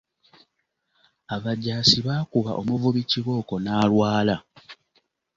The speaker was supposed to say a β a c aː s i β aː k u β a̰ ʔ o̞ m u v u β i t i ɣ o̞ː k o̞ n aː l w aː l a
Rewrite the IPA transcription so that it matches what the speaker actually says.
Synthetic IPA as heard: a β a ɟ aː s i β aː k u β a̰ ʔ o̞ m u v u β i c i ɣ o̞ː k o̞ n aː l w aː l a